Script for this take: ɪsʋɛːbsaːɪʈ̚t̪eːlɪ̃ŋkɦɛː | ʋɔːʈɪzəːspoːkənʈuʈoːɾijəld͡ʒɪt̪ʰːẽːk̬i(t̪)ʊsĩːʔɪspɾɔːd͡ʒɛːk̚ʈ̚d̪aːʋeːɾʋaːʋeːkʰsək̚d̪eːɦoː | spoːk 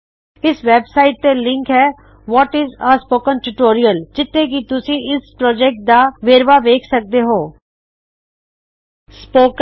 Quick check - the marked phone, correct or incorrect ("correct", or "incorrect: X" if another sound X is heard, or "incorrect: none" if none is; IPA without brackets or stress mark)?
correct